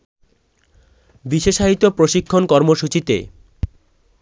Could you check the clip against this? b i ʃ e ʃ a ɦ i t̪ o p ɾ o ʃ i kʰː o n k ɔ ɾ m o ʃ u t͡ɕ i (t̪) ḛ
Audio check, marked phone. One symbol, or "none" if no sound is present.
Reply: t̪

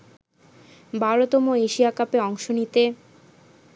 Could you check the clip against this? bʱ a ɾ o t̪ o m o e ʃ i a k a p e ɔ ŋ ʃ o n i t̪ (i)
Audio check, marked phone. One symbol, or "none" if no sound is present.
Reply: e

